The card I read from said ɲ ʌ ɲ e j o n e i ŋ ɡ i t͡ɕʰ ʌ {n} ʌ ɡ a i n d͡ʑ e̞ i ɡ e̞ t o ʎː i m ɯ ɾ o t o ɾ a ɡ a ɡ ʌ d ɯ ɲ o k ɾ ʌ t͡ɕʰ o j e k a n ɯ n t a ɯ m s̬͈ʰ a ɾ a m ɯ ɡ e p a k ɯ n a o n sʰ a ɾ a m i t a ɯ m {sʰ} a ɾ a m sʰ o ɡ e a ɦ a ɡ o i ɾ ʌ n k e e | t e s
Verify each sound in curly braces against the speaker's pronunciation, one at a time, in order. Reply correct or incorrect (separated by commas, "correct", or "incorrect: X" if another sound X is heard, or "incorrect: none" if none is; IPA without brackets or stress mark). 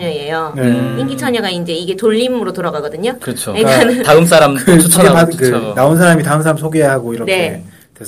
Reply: incorrect: ɲ, correct